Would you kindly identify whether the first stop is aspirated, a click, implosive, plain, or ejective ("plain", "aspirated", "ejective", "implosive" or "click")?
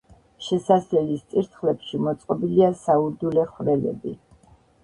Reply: plain